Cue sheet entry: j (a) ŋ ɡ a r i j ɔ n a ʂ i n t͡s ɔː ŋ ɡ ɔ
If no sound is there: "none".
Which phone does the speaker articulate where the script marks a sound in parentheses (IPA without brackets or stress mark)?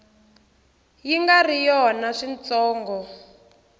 i